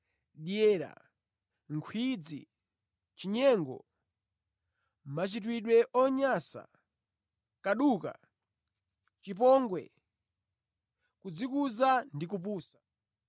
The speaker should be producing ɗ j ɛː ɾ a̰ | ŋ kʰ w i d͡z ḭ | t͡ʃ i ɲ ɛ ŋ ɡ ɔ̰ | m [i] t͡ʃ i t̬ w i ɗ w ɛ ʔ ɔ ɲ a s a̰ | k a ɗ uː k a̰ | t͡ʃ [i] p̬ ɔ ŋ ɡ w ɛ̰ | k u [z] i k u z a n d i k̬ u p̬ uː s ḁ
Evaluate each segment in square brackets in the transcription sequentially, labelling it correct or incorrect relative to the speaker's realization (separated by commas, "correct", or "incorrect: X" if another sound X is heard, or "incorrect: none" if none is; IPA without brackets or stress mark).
incorrect: a, correct, incorrect: d͡z